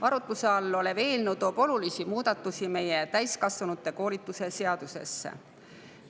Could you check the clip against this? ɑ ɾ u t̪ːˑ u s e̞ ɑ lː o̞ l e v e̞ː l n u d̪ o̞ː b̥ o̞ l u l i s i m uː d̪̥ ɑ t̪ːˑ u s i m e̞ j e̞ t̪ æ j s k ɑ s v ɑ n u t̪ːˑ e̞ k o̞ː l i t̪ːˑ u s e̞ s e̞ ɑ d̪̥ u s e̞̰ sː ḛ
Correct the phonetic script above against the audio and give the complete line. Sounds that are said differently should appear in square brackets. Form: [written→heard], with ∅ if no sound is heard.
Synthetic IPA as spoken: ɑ ɾ u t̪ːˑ u s e̞ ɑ lː o̞ l e v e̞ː l n u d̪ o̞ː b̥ o̞ l u l i s i m uː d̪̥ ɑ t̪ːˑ u s i m e̞ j e̞ t̪ æ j s k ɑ s v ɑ n u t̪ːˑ e̞ k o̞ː l i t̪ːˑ u s e̞ s e̞ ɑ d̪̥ u s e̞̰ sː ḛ